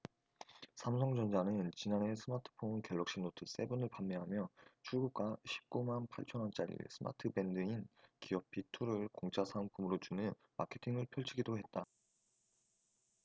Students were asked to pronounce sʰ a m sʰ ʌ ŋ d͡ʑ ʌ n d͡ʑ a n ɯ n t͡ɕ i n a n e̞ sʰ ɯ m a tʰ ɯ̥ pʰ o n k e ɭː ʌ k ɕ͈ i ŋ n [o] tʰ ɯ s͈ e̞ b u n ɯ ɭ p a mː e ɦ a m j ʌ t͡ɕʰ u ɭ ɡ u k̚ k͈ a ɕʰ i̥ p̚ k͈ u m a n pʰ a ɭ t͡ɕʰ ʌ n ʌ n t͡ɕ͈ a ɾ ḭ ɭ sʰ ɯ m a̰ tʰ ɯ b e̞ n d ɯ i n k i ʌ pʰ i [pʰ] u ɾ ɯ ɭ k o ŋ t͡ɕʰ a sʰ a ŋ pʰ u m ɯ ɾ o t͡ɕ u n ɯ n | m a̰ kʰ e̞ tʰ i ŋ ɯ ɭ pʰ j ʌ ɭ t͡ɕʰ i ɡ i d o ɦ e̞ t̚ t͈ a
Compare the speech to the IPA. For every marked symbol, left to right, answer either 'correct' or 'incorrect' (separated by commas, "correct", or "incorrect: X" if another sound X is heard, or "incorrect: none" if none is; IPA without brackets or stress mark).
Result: correct, incorrect: tʰ